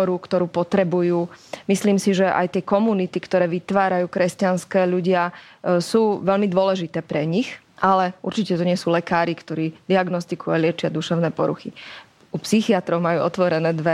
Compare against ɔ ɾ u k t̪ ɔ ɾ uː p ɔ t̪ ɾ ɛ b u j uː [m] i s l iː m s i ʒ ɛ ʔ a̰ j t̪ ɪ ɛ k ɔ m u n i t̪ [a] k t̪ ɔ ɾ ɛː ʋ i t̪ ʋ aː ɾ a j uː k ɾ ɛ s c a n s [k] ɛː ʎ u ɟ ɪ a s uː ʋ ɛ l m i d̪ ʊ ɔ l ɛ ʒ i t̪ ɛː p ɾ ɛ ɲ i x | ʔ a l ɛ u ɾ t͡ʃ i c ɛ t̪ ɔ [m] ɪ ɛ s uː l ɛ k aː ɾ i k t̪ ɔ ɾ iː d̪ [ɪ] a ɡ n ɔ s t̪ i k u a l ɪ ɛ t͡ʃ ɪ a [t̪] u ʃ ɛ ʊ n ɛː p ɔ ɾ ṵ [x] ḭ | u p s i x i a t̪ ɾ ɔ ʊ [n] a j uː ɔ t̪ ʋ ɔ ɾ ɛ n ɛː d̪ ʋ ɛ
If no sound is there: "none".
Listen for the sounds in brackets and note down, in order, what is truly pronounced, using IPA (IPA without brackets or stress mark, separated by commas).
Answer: m, i, k, ɲ, i, d̪, x, m